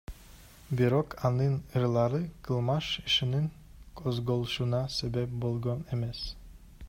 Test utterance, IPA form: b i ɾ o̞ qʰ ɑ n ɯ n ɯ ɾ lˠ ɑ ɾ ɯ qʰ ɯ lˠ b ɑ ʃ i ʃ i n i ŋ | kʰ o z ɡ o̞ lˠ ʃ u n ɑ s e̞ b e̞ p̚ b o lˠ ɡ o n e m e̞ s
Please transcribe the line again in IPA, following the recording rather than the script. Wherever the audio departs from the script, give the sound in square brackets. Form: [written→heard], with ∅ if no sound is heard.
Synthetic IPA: b i ɾ o̞ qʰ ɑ n ɯ n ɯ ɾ lˠ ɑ ɾ ɯ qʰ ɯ lˠ [b→m] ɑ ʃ i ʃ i n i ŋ | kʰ o z ɡ o̞ lˠ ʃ u n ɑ s e̞ b e̞ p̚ b o lˠ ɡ o n e m e̞ s